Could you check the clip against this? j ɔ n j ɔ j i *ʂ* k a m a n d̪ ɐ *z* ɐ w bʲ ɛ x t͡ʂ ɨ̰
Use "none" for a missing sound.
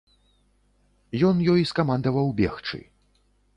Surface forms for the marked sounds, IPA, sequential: s, v

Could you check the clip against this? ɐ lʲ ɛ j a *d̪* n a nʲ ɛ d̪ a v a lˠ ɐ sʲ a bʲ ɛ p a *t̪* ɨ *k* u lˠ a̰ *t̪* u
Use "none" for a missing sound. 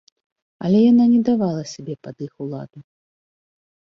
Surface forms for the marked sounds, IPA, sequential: none, d̪, x, d̪

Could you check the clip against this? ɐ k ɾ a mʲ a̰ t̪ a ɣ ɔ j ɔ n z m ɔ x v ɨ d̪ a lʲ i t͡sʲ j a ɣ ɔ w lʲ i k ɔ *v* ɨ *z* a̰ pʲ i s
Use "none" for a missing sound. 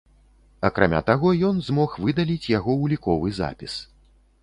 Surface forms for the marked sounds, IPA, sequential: v, z

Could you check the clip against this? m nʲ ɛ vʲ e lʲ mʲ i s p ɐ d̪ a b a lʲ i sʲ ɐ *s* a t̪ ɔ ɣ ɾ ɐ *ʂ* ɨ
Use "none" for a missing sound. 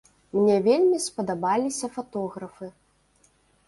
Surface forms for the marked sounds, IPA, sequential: f, f

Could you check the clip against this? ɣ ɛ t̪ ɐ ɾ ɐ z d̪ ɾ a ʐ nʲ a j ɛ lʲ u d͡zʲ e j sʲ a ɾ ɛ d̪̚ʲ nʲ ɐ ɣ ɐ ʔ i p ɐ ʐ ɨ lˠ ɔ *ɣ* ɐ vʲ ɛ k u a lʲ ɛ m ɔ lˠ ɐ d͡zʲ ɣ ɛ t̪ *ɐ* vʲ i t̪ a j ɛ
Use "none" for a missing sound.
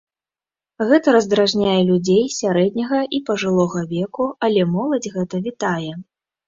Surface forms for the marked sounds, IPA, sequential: ɣ, ɐ

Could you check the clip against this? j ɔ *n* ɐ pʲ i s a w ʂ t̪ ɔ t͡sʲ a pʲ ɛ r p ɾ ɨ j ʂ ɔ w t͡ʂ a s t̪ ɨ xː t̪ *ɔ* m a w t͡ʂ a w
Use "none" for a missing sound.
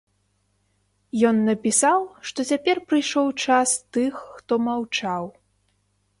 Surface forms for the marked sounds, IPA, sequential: nː, ɔ

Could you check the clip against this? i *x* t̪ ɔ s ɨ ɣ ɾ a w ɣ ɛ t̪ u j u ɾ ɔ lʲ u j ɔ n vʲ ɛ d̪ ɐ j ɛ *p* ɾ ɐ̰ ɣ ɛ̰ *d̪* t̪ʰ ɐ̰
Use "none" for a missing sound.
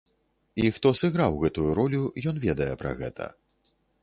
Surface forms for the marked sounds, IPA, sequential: x, p, none

